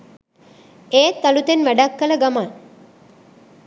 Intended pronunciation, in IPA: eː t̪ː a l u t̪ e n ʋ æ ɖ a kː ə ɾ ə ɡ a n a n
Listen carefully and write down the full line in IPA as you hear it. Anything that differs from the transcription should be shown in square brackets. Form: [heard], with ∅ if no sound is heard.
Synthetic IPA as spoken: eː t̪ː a l u t̪ e n ʋ æ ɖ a kː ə [l] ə ɡ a [m] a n